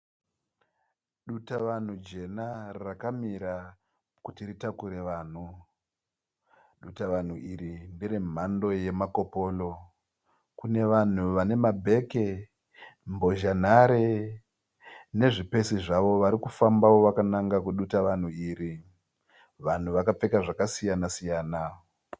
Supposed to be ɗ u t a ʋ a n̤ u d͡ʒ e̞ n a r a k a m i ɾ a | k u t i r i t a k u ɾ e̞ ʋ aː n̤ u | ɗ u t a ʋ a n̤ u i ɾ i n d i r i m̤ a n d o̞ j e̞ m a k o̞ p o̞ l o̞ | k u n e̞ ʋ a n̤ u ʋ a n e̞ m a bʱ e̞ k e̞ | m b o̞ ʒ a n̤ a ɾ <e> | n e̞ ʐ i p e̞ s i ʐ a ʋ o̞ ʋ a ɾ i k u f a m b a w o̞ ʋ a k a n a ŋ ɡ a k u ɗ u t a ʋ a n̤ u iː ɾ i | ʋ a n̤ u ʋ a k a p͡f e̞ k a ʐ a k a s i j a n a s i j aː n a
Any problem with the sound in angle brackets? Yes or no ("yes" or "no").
no